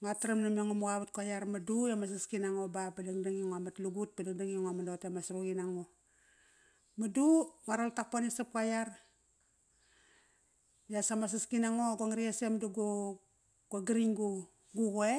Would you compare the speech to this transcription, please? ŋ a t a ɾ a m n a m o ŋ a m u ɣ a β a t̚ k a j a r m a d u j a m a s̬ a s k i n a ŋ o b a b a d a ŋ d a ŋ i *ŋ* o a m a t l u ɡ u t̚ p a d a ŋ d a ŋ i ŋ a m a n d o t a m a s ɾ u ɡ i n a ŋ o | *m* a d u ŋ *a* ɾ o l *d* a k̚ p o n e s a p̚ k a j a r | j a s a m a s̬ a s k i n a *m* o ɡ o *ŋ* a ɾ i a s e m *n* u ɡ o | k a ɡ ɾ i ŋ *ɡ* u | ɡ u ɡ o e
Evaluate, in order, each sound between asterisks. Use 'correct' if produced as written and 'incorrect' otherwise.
correct, correct, correct, incorrect: t, incorrect: ŋ, correct, incorrect: d, correct

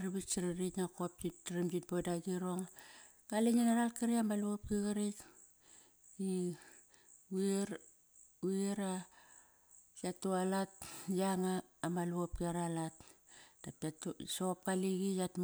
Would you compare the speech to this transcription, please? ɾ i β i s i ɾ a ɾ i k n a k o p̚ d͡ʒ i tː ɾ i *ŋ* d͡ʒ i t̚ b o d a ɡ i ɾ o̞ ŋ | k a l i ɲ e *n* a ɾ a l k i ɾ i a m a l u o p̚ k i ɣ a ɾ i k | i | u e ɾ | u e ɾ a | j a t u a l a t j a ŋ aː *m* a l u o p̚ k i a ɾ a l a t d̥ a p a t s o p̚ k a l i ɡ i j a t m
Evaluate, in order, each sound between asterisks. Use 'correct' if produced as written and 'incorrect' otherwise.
incorrect: m, correct, correct

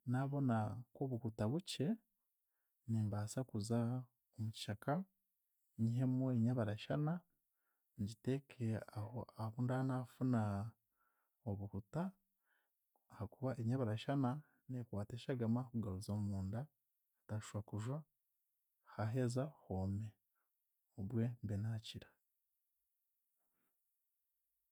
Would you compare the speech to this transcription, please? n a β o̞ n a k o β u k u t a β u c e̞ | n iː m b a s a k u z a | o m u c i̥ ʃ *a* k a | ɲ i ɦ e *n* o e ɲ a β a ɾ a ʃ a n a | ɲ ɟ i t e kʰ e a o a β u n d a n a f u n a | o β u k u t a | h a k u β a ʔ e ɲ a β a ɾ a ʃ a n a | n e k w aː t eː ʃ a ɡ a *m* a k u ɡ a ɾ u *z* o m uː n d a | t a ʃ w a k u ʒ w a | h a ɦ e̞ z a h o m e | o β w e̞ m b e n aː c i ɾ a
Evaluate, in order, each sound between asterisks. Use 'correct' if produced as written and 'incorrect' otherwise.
correct, incorrect: m, correct, correct

